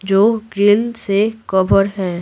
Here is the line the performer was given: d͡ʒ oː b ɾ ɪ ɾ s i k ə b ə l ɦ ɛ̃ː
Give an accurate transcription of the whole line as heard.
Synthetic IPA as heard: d͡ʒ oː ɡ ɾ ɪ l s e k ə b ə ɾ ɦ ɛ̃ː